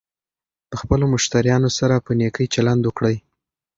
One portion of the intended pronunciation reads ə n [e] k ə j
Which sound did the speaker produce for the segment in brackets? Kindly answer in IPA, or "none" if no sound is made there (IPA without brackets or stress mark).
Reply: e